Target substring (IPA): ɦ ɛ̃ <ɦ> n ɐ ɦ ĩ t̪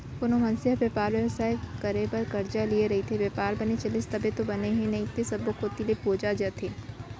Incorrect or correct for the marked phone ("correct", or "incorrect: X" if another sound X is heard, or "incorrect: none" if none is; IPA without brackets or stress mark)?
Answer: incorrect: none